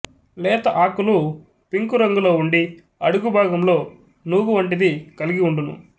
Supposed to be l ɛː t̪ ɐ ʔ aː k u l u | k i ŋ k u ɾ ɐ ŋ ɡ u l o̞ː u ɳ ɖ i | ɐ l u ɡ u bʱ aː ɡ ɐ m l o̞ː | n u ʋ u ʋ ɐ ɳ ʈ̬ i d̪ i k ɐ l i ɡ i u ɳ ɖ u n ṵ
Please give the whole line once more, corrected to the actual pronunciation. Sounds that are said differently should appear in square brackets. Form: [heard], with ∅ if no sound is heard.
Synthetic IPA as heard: l ɛː t̪ ɐ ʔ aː k u l u | [p] i ŋ k u ɾ ɐ ŋ ɡ u l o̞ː u ɳ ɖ i | ɐ [ɽ] u ɡ u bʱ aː ɡ ɐ m l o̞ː | n u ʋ u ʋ ɐ ɳ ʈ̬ i d̪ i k ɐ l i ɡ i u ɳ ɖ u n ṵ